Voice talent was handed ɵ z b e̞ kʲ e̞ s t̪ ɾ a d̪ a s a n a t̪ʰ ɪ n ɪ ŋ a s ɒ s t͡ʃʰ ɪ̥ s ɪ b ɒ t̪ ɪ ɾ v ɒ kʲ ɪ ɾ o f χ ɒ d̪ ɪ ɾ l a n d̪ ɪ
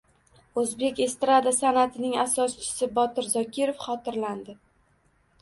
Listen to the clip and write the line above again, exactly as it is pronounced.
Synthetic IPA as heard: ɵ z b e̞ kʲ e̞ s t̪ ɾ a d̪ a s a n a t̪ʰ ɪ n ɪ ŋ a s ɒ s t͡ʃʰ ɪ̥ s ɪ b ɒ t̪ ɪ ɾ z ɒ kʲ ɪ ɾ o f χ ɒ t̪ ɪ ɾ l a n d̪ ɪ